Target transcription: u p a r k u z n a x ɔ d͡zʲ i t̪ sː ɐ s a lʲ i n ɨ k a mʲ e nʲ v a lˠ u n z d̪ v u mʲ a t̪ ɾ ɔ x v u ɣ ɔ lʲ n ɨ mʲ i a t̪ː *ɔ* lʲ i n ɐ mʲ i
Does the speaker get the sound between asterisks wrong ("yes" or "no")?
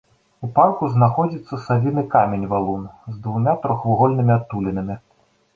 yes